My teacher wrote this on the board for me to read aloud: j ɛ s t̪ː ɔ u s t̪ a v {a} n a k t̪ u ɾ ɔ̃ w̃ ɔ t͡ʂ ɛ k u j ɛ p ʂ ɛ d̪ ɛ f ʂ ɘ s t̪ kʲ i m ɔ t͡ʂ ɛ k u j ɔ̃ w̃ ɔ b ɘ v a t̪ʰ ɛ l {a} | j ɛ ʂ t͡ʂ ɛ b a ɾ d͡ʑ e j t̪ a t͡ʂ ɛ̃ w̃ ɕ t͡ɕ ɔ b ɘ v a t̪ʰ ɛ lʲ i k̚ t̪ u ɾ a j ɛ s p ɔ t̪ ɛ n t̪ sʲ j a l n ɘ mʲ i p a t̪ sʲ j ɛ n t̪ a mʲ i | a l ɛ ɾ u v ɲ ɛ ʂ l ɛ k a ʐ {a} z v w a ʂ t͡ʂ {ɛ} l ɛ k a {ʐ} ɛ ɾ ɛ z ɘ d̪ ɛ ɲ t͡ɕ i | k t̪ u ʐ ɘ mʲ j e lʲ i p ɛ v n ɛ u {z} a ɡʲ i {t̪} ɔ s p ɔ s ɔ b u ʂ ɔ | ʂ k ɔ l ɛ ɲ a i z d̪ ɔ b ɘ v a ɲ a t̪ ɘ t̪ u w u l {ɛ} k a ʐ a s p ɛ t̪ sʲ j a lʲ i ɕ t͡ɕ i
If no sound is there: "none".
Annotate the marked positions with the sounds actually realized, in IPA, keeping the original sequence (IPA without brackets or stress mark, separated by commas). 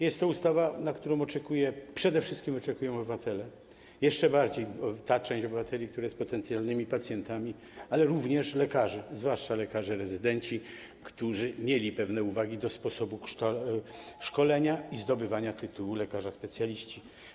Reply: a, ɛ, ɛ, a, ʐ, v, d̪, ɛ